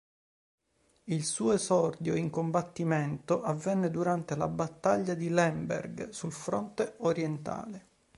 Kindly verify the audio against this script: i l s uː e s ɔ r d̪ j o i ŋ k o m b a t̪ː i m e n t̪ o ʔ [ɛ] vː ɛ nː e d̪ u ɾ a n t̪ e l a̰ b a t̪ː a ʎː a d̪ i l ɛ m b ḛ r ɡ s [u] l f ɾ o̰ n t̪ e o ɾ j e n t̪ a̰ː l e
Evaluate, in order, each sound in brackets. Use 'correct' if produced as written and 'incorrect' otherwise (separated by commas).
incorrect, correct